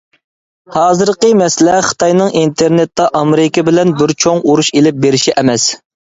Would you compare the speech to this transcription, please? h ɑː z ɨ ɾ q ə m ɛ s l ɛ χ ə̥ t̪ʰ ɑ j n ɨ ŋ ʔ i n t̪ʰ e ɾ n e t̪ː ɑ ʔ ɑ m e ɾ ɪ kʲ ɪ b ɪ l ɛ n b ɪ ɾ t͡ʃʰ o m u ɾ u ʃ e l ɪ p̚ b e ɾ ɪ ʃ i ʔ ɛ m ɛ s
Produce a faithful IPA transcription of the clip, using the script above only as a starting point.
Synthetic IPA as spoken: h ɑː z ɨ ɾ q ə m ɛ s l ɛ χ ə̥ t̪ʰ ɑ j n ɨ ŋ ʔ i n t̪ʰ e ɾ n e t̪ː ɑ ʔ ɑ m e ɾ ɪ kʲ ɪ b ɪ l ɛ n b ɪ ɾ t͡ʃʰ o ŋ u ɾ u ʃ e l ɪ p̚ b e ɾ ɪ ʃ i ʔ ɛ m ɛ s